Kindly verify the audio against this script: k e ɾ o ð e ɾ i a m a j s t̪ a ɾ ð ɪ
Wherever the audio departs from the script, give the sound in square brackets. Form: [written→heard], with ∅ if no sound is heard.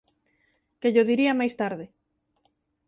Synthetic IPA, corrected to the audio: k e [ɾ→ʎ] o ð [e→i] ɾ i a m a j s t̪ a ɾ ð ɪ